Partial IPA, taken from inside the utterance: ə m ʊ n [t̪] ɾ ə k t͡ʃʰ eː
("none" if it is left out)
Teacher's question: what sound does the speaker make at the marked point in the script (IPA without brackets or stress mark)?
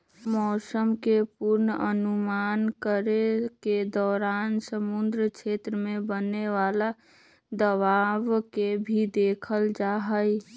d̪